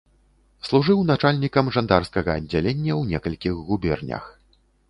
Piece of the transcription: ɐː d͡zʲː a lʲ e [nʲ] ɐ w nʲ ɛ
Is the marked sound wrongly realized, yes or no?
yes